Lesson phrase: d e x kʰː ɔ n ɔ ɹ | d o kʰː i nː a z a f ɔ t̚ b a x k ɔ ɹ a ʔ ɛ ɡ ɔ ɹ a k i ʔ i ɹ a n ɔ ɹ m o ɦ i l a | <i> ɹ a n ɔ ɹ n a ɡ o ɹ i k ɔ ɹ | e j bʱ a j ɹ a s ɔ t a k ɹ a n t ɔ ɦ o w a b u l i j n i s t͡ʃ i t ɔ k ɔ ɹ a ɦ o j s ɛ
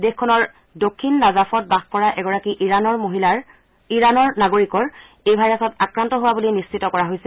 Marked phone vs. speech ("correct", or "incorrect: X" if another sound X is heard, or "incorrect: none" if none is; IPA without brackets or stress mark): correct